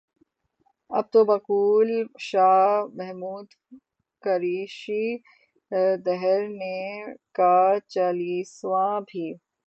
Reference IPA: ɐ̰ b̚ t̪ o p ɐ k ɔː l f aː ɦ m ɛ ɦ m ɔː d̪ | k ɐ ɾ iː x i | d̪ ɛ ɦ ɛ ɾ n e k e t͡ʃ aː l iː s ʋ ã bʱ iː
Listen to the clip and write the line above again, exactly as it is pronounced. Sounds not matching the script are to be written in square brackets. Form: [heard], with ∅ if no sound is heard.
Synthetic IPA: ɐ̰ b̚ t̪ o [b] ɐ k [uː] l [ʃ] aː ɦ m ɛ ɦ m [uː] d̪ | k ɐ ɾ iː [ʃ] i | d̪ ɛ ɦ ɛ ɾ n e k [a] t͡ʃ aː l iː s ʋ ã bʱ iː

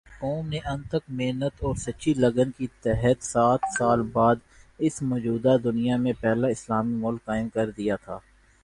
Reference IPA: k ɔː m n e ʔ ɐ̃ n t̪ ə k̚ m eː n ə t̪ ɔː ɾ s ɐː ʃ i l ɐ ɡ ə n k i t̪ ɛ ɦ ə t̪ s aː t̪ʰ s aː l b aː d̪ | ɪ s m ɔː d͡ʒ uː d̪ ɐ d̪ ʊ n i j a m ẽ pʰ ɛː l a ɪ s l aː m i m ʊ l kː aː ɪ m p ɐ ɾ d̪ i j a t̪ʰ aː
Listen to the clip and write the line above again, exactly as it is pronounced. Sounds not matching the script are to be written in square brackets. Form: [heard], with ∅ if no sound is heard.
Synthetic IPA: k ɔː m n e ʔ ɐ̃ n t̪ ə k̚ m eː n ə t̪ ɔː ɾ s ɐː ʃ i l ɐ ɡ ə n k i t̪ ɛ ɦ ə t̪ s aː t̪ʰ s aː l b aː d̪ | ɪ s m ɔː d͡ʒ uː d̪ [a] d̪ ʊ n i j a m ẽ [p] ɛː l a ɪ s l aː m i m ʊ l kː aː ɪ m [k] ɐ ɾ d̪ i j a t̪ʰ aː

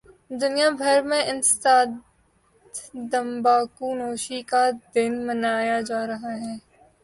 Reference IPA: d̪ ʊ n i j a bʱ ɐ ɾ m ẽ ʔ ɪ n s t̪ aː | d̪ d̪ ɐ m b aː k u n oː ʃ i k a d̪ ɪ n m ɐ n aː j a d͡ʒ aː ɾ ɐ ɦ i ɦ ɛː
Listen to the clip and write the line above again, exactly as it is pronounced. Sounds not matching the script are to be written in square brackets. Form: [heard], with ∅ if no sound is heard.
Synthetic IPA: d̪ ʊ n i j a bʱ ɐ ɾ m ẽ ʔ ɪ n s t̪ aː | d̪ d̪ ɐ m b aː k u n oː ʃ i k a d̪ ɪ n m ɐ n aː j a d͡ʒ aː ɾ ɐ ɦ [a] ɦ ɛː

